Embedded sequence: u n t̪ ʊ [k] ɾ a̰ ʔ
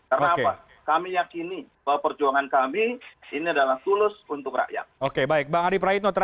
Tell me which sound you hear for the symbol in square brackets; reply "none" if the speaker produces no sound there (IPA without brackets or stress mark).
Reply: k